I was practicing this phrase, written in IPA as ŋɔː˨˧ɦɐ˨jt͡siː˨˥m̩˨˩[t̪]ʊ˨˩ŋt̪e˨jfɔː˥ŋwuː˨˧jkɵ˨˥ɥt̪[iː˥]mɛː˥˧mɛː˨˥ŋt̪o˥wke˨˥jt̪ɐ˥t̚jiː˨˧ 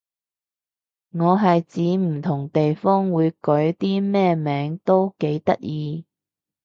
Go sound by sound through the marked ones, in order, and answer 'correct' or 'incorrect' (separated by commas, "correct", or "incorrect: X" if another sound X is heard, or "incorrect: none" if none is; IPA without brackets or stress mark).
incorrect: t̪ʰ, correct